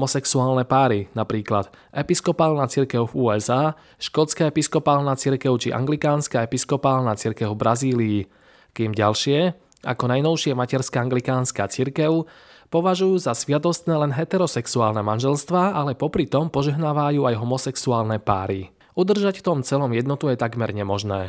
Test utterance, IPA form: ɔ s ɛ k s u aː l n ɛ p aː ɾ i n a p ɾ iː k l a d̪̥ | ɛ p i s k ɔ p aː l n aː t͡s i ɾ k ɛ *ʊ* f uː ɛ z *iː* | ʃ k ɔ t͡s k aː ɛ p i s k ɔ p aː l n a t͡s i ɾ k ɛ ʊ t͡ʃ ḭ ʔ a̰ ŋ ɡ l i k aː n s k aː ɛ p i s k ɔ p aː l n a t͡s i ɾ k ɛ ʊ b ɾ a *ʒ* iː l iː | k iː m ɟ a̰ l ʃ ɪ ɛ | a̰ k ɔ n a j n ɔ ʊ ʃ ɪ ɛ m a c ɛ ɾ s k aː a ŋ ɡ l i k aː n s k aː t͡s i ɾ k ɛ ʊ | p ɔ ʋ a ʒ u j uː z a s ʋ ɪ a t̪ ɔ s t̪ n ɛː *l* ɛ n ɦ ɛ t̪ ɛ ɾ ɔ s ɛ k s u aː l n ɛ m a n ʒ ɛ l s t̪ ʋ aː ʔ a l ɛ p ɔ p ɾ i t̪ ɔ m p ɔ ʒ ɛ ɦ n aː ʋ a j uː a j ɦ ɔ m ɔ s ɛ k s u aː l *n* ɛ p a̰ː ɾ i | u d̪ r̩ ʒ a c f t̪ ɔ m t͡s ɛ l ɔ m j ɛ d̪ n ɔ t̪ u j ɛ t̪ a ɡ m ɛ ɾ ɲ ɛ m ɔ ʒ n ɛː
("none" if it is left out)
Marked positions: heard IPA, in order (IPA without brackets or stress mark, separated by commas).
ʊ, aː, z, l, n